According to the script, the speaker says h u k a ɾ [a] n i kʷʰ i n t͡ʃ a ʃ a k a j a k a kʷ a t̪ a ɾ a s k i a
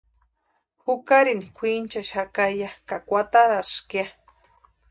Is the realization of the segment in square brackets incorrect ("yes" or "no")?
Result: yes